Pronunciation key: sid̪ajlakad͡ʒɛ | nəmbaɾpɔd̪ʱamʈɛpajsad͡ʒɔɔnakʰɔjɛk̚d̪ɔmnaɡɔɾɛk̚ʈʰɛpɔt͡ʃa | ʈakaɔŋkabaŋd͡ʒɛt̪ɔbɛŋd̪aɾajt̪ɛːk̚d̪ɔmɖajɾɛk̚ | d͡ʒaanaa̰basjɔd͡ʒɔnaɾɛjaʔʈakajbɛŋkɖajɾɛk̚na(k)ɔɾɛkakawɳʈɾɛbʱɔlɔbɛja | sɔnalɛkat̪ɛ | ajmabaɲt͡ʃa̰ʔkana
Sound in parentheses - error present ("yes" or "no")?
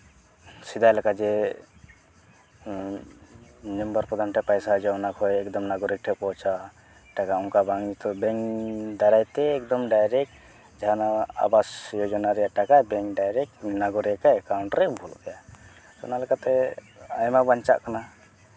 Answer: yes